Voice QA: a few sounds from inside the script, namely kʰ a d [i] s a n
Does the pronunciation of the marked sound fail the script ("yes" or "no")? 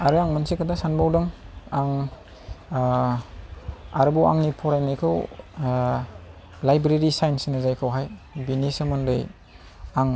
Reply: yes